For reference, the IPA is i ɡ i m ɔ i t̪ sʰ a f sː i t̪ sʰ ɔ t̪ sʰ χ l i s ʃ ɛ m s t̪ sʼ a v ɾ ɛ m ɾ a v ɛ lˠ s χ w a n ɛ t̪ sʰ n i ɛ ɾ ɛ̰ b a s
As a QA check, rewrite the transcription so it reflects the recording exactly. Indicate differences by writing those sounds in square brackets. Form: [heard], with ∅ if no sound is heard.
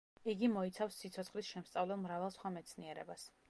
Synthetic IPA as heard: i ɡ i m ɔ i t̪ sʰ a f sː i t̪ sʰ ɔ t̪ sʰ χ l i s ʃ ɛ m s t̪ sʼ a v [l] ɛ m ɾ a v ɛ lˠ s χ w a [m] ɛ t̪ sʰ n i ɛ ɾ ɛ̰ b a s

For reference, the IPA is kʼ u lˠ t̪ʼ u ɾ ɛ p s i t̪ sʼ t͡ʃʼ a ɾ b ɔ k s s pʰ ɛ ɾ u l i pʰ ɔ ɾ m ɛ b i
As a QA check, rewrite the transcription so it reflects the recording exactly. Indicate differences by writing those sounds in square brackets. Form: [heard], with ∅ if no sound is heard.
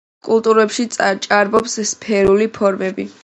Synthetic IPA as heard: kʼ u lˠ t̪ʼ u ɾ ɛ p [ʃ] i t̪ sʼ t͡ʃʼ a ɾ b ɔ [p] s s pʰ ɛ ɾ u l i pʰ ɔ ɾ m ɛ b i

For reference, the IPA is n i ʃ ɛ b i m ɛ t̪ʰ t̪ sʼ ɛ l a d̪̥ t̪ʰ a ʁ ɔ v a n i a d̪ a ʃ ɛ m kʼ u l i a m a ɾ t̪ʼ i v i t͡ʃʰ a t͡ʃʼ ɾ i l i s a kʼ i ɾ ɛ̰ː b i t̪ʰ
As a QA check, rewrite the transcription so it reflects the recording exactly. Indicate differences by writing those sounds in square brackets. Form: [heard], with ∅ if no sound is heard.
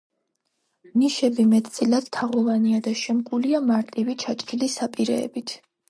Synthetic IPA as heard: n i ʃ ɛ b i m ɛ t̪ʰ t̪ sʼ [i] l a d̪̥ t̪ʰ a ʁ ɔ v a n i a d̪ a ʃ ɛ m kʼ u l i a m a ɾ t̪ʼ i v i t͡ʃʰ a t͡ʃʼ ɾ i l i s a [pʼ] i ɾ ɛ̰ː b i t̪ʰ

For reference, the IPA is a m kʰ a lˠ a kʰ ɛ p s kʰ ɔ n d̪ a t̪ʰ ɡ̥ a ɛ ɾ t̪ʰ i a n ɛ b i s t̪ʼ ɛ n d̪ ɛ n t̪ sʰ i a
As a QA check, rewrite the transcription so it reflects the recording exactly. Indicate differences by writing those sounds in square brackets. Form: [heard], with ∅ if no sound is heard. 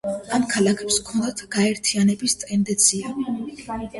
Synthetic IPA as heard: a m kʰ a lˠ a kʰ ɛ p s kʰ ɔ n d̪ a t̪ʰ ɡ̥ a ɛ ɾ t̪ʰ i a n ɛ b i s t̪ʼ ɛ n d̪ ɛ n t̪ sʰ i a

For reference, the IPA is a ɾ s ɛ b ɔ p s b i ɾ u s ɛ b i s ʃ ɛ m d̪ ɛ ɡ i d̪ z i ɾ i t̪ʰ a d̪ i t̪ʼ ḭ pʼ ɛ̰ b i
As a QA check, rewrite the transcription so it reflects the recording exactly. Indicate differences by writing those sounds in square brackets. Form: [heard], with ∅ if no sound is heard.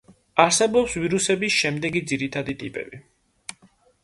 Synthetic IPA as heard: a ɾ s ɛ b ɔ p s [v] i ɾ u s ɛ b i s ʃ ɛ m d̪ ɛ ɡ i d̪ z i ɾ i t̪ʰ a d̪ i t̪ʼ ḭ pʼ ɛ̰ b i

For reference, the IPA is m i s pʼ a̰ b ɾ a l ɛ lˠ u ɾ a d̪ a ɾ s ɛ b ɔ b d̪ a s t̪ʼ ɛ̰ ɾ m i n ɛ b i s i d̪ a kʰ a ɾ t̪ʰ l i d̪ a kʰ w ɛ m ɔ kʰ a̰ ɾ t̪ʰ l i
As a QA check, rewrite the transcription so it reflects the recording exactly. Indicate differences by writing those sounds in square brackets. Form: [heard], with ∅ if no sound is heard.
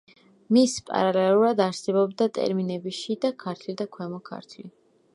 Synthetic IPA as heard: m i s pʼ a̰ [∅] ɾ a l ɛ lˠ u ɾ a d̪ a ɾ s ɛ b ɔ b d̪ a [∅] t̪ʼ ɛ̰ ɾ m i n ɛ b i [ʃ] i d̪ a kʰ a ɾ t̪ʰ l i d̪ a kʰ w ɛ m ɔ kʰ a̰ ɾ t̪ʰ l i

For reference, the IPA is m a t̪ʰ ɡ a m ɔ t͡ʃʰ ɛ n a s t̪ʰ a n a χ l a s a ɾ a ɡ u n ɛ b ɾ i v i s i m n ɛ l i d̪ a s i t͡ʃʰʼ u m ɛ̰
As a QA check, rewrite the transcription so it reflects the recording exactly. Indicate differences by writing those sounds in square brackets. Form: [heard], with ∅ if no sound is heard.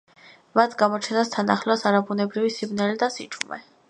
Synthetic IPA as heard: m a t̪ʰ ɡ a m ɔ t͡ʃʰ ɛ n a s t̪ʰ a n a χ l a s a ɾ a [b] u n ɛ b ɾ i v i s i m n ɛ l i d̪ a s i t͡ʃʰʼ u m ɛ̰

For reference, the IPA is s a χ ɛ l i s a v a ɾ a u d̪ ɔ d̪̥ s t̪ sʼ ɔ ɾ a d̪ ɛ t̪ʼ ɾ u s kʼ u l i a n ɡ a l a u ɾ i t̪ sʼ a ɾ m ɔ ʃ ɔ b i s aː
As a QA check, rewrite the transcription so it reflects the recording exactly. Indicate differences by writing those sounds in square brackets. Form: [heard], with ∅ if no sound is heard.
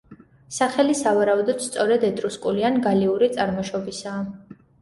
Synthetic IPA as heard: s a χ ɛ l i s a v a ɾ a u d̪ ɔ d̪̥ s t̪ sʼ ɔ ɾ [ɛ] d̪ ɛ t̪ʼ ɾ u s kʼ u l i a n ɡ a l [i] u ɾ i t̪ sʼ a ɾ m ɔ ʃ ɔ b i s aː

